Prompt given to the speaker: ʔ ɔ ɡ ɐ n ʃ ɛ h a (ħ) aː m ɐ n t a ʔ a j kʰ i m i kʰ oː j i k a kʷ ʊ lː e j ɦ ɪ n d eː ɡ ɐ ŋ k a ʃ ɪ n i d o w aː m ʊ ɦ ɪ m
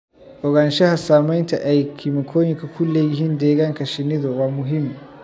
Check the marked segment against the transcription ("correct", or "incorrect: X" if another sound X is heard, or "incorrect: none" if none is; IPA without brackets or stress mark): incorrect: s